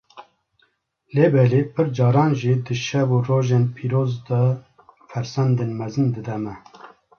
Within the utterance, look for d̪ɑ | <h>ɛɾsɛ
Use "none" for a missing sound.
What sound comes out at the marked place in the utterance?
f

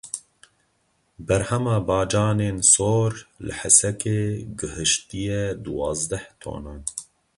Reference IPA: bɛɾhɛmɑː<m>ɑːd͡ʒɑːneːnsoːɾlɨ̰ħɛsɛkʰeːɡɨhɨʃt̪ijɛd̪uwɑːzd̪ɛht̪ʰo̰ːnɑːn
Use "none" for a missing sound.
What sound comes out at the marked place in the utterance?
b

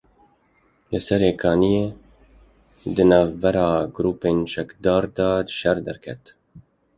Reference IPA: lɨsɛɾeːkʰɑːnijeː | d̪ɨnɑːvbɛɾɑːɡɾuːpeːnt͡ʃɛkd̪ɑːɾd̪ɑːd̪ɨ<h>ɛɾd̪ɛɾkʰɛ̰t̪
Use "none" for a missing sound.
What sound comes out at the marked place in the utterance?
ʃ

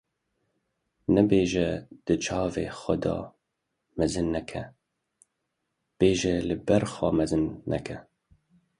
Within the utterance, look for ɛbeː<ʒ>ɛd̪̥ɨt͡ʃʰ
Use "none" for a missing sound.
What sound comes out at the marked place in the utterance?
ʒ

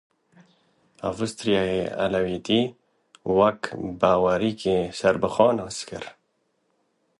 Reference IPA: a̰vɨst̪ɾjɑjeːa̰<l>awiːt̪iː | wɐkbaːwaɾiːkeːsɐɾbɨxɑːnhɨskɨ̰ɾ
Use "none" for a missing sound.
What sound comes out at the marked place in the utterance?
l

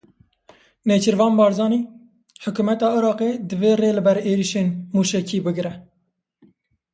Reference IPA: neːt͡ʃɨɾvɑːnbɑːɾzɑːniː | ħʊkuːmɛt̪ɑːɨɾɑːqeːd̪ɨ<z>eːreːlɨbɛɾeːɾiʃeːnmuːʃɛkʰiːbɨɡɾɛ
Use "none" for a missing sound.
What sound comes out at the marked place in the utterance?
v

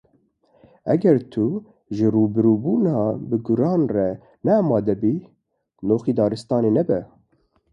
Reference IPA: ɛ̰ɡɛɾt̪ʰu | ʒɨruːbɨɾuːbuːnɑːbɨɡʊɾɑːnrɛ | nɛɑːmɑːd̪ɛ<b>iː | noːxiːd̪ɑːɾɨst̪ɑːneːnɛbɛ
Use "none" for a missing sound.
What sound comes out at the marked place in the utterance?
b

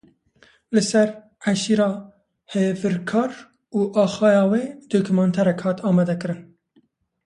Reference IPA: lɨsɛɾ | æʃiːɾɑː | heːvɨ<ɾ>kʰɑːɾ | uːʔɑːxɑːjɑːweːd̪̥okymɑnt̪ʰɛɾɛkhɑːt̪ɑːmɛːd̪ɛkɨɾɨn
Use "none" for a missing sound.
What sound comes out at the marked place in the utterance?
ɾ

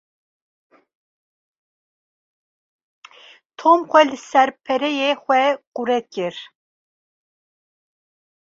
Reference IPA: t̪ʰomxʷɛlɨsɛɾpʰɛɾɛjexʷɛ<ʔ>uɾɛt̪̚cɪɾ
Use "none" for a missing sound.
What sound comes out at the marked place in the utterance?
q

